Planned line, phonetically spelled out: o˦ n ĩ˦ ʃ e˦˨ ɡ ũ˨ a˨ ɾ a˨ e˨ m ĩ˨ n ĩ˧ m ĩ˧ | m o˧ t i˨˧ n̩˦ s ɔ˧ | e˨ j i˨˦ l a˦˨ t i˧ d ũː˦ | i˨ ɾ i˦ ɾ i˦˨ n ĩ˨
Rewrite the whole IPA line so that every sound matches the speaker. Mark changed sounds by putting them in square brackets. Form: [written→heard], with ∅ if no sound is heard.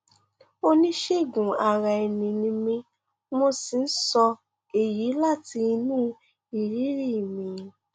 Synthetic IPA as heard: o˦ n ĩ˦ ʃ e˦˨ ɡ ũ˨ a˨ ɾ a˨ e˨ [m→n] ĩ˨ n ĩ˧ m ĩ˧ | m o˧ [t→s] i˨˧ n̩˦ s ɔ˧ | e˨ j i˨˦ l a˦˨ t i˧ [d→n] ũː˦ | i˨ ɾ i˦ ɾ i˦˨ [n→m] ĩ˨